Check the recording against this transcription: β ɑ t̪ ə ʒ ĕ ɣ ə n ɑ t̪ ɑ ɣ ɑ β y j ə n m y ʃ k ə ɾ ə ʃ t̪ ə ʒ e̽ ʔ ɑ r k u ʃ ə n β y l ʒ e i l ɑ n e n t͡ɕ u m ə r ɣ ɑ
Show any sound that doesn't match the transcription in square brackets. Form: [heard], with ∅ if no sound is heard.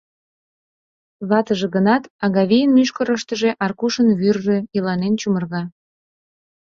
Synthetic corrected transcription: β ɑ t̪ ə ʒ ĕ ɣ ə n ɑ t̪ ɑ ɣ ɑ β [i] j ə n m y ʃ k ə ɾ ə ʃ t̪ ə ʒ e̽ ʔ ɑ r k u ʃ ə n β y [r] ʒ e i l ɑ n e n t͡ɕ u m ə r ɣ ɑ